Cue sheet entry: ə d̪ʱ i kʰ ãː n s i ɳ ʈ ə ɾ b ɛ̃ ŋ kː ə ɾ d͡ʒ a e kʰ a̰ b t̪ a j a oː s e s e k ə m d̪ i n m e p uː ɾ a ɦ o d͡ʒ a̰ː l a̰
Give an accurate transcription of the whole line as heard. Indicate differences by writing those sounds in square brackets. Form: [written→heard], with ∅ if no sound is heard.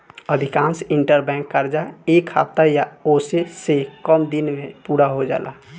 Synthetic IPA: ə d̪ʱ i [kʰ→k] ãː n s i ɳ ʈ ə ɾ b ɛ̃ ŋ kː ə ɾ d͡ʒ a e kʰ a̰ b t̪ a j a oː s e s e k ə m d̪ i n m e p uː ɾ a ɦ o d͡ʒ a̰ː l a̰